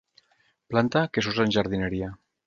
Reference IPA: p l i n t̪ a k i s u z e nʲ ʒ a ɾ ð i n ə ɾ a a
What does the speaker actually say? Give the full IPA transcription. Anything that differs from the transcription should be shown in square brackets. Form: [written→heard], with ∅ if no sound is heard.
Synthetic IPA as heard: p l [i→a] n t̪ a k [i→e] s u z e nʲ ʒ a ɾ ð i n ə ɾ [a→i] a